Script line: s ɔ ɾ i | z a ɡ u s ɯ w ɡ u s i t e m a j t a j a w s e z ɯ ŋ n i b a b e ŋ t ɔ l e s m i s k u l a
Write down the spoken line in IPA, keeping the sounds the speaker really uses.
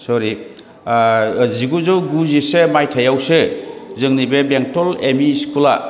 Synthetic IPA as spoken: s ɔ ɾ i | z i ɡ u z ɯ w ɡ u z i s e m a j tʰ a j a w s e z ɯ ŋ n i b e b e ŋ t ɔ l e m i s k u l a